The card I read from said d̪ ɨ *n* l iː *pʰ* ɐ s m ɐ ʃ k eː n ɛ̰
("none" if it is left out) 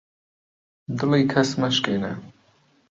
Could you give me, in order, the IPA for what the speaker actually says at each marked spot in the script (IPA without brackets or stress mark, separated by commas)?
none, kʰ